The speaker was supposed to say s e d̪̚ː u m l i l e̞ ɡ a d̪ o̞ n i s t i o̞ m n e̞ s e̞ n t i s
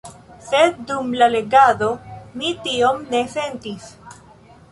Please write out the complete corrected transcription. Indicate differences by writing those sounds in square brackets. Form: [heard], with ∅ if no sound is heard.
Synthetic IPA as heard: s e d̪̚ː u m l [a] l e̞ ɡ a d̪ o̞ [m] i [∅] t i o̞ m n e̞ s e̞ n t i s